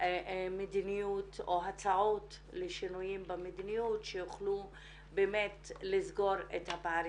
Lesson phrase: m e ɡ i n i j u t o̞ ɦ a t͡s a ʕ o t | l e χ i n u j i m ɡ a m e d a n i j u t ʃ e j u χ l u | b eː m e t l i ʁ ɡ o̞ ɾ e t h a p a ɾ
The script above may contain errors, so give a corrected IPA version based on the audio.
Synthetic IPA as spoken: m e d i n i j u t o̞ ɦ a t͡s a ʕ o t | l e ʃ i n u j i m b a m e d i n i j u t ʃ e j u χ l u | b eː m e t l i z ɡ o̞ ɾ e t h a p a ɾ